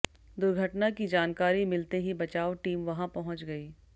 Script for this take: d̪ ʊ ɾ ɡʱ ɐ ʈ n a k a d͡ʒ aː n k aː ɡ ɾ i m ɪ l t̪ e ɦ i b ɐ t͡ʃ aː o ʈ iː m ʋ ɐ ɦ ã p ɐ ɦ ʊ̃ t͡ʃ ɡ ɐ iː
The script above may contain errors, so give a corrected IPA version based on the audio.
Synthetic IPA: d̪ ʊ ɾ ɡʱ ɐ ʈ n a k i d͡ʒ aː n k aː ɾ i m ɪ l t̪ e ɦ i b ɐ t͡ʃ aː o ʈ iː m ʋ ɐ ɦ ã p ɐ ɦ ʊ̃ t͡ʃ ɡ ɐ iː